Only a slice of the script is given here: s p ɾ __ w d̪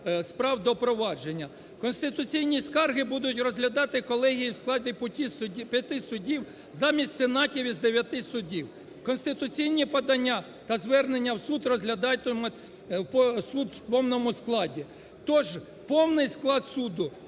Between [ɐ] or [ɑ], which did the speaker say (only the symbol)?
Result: ɑ